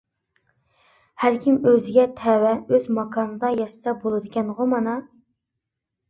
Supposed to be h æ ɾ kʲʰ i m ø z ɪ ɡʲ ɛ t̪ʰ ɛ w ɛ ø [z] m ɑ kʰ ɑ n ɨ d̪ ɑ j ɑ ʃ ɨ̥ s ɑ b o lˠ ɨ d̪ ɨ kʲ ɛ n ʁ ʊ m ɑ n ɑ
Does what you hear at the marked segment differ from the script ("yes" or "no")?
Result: no